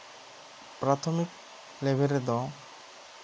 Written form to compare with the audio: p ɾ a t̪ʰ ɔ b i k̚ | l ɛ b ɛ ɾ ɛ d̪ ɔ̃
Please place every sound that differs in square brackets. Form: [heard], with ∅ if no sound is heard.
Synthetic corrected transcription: p ɾ a t̪ʰ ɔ [m] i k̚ | l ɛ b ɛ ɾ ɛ d̪ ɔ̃